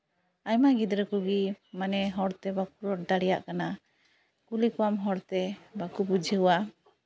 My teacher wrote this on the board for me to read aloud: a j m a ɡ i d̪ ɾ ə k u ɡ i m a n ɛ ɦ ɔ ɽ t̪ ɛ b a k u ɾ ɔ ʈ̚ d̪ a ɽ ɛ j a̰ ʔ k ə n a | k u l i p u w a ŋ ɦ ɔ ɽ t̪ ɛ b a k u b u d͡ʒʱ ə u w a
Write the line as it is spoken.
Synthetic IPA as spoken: a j m a ɡ i d̪ ɾ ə k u ɡ i m a n ɛ ɦ ɔ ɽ t̪ ɛ b a k u ɾ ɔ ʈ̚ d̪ a ɽ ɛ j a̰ ʔ k a n a | k u l i k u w a m ɦ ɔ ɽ t̪ ɛ b a k u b u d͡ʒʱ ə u w a